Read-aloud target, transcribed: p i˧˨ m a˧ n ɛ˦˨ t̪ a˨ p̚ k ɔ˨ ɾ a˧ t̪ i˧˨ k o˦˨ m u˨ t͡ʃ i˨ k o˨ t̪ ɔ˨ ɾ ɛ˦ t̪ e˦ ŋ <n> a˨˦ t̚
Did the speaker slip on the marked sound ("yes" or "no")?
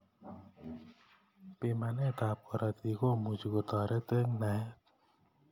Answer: no